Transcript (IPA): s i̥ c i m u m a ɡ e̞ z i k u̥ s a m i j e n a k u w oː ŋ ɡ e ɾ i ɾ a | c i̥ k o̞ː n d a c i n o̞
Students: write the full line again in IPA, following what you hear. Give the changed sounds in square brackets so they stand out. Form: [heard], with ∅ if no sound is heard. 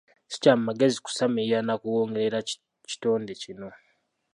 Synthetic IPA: s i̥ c [a] m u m a ɡ e̞ z i k u̥ s a m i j [a] n a k u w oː ŋ ɡ e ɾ [e] ɾ a | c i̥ [t] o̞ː n d [e] c i n o̞